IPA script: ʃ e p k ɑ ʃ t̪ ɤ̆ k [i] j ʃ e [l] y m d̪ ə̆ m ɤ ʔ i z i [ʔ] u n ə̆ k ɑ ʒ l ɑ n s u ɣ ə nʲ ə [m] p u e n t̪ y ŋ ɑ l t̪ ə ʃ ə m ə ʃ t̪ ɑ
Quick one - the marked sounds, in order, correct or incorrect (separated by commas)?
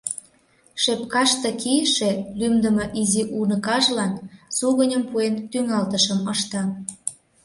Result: correct, correct, correct, correct